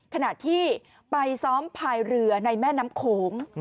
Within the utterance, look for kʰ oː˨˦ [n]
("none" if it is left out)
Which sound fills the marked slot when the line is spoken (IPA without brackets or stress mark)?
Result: ŋ